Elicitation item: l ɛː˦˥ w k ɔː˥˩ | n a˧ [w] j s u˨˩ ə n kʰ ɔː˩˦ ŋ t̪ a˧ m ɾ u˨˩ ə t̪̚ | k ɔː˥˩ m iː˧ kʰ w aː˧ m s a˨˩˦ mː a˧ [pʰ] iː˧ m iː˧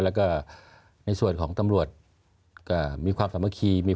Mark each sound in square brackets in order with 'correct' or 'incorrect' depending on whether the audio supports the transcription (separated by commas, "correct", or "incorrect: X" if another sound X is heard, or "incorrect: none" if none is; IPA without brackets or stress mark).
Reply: incorrect: none, incorrect: kʰ